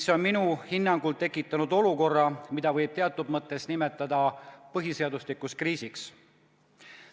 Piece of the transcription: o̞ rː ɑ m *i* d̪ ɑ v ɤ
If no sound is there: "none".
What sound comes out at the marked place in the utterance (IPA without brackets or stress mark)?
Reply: i